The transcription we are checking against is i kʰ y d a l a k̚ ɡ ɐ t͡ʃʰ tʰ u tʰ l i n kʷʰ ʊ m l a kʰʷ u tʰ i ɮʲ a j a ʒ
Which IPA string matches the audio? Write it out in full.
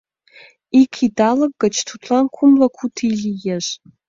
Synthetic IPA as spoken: i kʰ i d a l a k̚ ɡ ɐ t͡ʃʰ tʰ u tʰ l a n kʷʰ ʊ m l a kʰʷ u tʰ i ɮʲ i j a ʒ